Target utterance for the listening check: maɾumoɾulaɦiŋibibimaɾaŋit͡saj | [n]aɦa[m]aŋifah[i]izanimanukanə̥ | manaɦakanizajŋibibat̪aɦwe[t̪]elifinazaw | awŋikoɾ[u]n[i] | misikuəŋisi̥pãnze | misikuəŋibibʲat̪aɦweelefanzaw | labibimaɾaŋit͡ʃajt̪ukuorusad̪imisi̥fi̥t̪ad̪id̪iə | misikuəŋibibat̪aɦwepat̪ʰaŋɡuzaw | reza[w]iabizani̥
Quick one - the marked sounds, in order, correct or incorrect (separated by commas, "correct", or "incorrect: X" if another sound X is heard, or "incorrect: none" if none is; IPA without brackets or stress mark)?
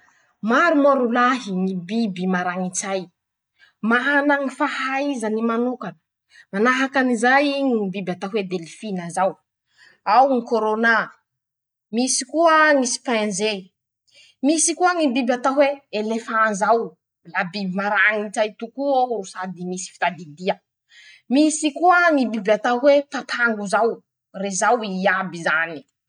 incorrect: m, incorrect: n, incorrect: a, incorrect: d̪, incorrect: o, incorrect: a, correct